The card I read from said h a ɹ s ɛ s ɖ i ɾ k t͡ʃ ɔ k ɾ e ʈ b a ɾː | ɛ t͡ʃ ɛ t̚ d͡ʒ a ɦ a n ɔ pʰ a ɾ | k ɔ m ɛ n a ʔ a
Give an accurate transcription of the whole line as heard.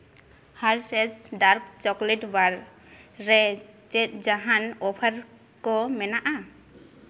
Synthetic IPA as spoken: h a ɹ s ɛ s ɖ a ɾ k t͡ʃ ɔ k l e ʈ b a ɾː | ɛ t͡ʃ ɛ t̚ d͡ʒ a ɦ a n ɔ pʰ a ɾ | k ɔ m ɛ n a ʔ a